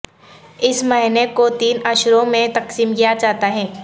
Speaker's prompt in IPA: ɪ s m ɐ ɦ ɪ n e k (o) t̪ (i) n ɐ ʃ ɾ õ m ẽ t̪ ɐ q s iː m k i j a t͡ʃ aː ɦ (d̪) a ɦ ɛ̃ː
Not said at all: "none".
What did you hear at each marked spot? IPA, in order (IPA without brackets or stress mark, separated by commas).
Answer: o, iː, t̪